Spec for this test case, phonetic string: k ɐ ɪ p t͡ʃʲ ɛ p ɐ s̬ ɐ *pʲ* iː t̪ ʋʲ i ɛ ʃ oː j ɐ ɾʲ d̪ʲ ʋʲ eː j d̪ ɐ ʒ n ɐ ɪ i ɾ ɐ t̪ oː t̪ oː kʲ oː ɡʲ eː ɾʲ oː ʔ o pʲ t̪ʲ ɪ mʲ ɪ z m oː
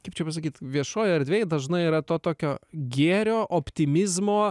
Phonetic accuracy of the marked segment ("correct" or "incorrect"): incorrect